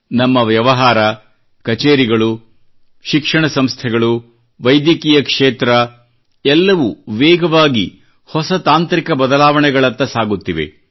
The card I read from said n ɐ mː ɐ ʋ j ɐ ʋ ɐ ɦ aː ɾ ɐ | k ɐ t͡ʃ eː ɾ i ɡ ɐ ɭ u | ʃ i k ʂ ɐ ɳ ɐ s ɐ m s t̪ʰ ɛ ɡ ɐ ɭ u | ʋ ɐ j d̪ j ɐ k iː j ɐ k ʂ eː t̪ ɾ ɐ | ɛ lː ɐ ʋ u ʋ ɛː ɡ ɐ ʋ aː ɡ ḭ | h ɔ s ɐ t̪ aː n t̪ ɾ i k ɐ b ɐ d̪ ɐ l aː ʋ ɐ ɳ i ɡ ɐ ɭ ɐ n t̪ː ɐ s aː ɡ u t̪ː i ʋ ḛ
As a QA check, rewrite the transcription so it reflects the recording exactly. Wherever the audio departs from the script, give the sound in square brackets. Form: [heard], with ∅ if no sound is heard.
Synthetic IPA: n ɐ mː ɐ ʋ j ɐ ʋ ɐ ɦ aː ɾ ɐ | k ɐ t͡ʃ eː ɾ i ɡ ɐ ɭ u | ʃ i k ʂ ɐ ɳ ɐ s ɐ m s t̪ʰ ɛ ɡ ɐ ɭ u | ʋ ɐ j d̪ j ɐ k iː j ɐ k ʂ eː t̪ ɾ ɐ | ɛ lː ɐ ʋ u ʋ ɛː ɡ ɐ ʋ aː ɡ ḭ | h ɔ s ɐ t̪ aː n t̪ ɾ i k ɐ b ɐ d̪ ɐ l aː ʋ ɐ ɳ [ɛ] ɡ ɐ ɭ ɐ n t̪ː ɐ s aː ɡ u t̪ː i ʋ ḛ